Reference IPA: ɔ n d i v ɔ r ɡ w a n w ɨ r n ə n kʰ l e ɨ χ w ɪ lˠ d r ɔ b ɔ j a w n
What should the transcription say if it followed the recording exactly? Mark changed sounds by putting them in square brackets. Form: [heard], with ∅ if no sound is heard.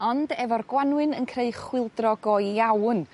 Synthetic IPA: ɔ n d [ɛ] v ɔ r ɡ w a n w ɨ [∅] n ə n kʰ [r] e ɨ χ w ɪ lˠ d r ɔ [ɡ] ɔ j a w n